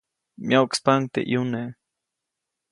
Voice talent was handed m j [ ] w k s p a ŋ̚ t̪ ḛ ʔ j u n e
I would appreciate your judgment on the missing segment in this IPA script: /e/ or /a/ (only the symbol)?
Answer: a